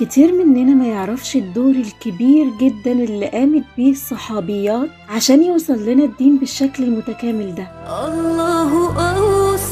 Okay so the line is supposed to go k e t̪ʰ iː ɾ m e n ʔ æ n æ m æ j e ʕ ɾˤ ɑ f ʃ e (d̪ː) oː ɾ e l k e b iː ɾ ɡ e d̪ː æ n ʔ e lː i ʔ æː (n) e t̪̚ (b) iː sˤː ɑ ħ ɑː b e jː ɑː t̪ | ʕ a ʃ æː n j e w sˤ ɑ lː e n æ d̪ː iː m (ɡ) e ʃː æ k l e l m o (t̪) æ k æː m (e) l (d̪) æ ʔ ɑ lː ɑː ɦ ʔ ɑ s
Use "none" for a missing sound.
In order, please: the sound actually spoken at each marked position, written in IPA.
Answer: d̪ː, m, b, b, t̪, e, d̪

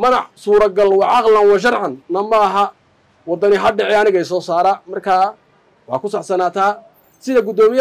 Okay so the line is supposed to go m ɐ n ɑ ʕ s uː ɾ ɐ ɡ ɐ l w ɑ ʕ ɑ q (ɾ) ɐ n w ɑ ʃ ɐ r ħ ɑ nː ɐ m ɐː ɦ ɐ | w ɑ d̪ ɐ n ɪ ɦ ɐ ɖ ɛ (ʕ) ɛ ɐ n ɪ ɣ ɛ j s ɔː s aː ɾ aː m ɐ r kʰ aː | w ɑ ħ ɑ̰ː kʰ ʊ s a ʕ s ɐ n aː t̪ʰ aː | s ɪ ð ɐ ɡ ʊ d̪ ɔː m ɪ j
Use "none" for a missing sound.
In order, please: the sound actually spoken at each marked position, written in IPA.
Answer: l, ʕ

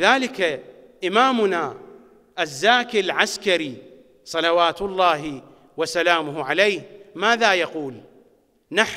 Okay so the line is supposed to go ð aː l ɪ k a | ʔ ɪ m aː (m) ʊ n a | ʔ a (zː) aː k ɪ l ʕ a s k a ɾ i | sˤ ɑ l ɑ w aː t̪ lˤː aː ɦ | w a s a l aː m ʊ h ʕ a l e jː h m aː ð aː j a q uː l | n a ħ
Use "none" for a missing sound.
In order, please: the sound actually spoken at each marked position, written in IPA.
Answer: m, zː

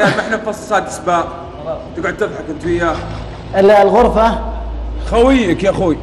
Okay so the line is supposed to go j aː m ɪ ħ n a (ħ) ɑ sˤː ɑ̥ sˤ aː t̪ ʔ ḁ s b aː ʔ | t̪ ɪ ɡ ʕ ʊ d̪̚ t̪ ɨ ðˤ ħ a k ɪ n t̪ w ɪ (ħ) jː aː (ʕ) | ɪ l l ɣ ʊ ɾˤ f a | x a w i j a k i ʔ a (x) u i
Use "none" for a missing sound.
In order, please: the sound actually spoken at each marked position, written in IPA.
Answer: f, none, none, x

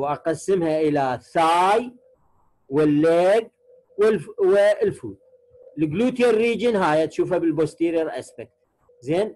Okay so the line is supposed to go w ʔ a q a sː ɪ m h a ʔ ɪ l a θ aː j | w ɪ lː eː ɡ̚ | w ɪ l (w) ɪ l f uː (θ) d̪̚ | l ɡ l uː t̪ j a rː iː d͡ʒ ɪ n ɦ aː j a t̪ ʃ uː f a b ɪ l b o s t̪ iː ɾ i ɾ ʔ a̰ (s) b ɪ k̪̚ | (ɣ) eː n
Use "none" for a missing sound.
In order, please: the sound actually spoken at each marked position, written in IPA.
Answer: w, none, s, z

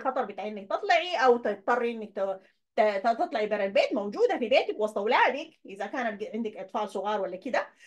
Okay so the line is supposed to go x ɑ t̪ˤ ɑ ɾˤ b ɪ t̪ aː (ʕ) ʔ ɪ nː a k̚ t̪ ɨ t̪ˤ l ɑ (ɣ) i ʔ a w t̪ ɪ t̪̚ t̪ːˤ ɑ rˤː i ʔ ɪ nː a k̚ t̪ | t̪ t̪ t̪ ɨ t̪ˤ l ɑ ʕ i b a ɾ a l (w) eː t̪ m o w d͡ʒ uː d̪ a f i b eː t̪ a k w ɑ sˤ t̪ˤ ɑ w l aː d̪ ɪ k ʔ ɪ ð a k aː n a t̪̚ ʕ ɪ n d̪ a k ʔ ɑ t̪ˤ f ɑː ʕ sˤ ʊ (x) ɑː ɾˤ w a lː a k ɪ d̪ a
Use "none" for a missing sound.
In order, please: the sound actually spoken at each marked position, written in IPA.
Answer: ʕ, ʕ, b, ɣ

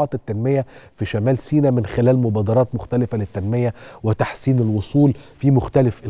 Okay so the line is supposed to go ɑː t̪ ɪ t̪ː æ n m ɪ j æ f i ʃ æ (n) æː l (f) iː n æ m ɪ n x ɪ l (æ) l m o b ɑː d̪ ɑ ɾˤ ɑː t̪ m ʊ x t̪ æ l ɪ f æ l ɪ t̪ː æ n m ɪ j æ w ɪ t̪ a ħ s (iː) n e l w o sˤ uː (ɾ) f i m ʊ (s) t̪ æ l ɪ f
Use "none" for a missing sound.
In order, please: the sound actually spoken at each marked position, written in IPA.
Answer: m, s, æː, iː, l, x

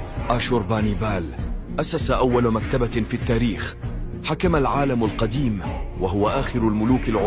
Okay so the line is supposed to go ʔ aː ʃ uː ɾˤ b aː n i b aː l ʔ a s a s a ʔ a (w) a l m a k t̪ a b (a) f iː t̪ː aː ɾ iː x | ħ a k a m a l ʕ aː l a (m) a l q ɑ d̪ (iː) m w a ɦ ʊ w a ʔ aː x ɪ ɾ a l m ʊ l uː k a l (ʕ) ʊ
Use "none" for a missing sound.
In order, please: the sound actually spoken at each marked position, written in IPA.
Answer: wː, a, m, iː, ʕ

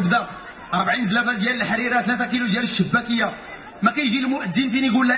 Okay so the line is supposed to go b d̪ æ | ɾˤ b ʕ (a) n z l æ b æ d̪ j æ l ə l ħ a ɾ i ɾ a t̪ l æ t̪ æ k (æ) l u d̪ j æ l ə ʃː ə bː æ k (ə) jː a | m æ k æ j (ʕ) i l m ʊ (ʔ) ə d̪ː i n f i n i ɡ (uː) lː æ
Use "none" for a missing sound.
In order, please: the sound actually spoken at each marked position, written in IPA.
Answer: i, i, ə, ʒ, ʔ, u

